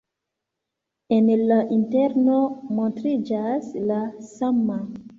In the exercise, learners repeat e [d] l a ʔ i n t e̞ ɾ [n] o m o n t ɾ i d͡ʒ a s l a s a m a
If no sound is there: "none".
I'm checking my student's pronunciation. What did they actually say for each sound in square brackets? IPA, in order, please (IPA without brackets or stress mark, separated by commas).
n, n